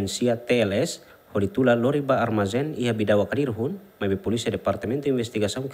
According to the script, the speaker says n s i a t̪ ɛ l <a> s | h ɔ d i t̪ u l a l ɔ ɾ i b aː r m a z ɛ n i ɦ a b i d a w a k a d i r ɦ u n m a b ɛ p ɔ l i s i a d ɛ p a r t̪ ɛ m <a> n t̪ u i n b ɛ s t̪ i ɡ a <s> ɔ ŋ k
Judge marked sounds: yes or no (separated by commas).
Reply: no, no, yes